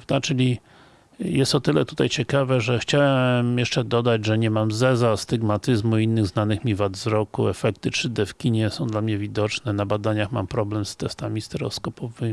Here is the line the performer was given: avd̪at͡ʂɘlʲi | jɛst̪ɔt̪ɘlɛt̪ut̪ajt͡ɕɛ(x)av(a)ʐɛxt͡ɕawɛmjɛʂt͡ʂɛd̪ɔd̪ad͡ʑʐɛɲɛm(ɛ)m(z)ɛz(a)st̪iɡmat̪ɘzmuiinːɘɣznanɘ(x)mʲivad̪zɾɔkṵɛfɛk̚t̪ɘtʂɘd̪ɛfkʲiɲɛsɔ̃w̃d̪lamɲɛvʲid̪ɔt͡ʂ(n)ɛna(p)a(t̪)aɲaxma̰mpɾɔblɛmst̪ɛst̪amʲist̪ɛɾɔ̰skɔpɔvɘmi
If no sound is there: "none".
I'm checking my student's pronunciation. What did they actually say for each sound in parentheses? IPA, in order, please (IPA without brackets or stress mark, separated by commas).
k, ɛ, a, z, a, x, n, b, d̪